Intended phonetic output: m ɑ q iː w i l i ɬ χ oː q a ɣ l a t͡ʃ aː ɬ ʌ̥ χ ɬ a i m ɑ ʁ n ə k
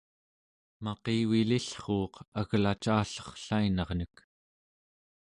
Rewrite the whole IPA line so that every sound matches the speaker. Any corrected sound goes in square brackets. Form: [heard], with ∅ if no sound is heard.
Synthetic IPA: m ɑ q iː w i l i ɬ χ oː q a ɣ l a t͡ʃ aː ɬ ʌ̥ χ ɬ a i [n] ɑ ʁ n ə k